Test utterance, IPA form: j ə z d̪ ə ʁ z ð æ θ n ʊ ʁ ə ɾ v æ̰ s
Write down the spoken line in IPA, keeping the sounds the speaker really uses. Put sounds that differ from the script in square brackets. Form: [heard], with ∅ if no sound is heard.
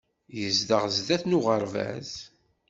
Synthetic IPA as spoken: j ə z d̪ ə ʁ z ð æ θ n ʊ ʁ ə ɾ v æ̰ [z]